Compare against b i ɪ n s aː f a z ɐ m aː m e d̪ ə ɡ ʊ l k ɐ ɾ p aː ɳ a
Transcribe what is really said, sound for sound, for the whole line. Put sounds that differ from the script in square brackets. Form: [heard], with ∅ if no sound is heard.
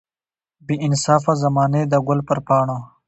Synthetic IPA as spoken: b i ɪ n s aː f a z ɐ m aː [n] e d̪ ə ɡ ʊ l [p] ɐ ɾ p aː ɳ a